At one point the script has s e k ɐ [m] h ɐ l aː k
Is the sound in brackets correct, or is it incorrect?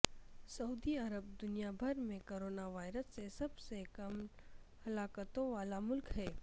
correct